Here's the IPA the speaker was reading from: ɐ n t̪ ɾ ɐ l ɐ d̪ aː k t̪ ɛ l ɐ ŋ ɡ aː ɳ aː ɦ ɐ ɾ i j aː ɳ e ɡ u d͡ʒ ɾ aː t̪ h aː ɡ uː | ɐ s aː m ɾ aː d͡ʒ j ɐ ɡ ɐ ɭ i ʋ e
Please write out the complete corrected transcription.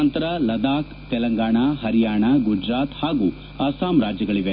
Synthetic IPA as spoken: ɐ n t̪ ɾ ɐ l ɐ d̪ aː k t̪ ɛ l ɐ ŋ ɡ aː ɳ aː ɦ ɐ ɾ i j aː ɳ a ɡ u d͡ʒ ɾ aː t̪ h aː ɡ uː | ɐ s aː m ɾ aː d͡ʒ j ɐ ɡ ɐ ɭ i ʋ e